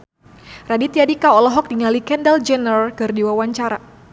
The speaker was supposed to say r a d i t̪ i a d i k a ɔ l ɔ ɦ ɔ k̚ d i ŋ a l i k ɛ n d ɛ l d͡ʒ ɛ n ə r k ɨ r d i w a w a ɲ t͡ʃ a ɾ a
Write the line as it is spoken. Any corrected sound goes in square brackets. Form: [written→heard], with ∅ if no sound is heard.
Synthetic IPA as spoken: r a d i t̪ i a d i k a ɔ l ɔ ɦ ɔ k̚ d i ŋ a l i k ɛ n d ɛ l d͡ʒ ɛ n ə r k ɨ r d i w a w a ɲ t͡ʃ a ɾ a